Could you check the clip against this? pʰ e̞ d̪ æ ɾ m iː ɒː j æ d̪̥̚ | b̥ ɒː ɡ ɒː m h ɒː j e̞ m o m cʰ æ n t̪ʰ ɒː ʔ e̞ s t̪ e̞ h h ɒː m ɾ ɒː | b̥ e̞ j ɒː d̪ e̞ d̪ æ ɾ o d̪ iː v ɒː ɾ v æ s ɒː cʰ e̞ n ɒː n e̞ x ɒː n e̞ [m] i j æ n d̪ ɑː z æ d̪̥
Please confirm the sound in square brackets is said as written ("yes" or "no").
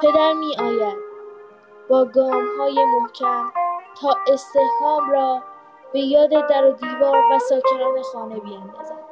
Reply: no